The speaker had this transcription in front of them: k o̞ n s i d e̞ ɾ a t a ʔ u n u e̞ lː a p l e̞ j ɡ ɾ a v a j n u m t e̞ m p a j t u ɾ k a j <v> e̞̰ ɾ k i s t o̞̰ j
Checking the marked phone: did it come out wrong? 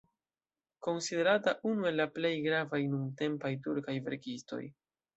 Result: no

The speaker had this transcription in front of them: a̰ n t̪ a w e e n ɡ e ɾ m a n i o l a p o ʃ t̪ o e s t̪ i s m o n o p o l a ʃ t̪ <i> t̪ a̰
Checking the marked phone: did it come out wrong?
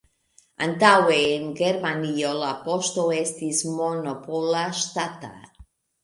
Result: yes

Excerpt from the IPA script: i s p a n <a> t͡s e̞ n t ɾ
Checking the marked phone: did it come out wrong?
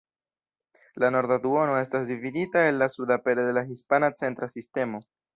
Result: no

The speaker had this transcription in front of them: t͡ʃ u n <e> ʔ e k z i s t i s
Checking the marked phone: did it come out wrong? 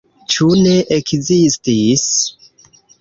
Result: no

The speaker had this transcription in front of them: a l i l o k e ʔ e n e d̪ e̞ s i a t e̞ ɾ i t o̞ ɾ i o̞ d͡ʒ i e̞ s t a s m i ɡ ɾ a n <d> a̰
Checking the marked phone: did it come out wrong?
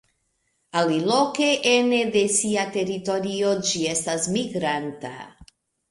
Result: yes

